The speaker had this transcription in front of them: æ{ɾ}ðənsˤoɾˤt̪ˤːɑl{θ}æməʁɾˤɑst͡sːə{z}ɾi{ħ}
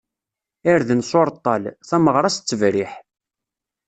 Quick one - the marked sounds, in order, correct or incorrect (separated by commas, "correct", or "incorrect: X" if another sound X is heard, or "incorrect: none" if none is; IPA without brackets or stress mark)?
correct, correct, incorrect: v, correct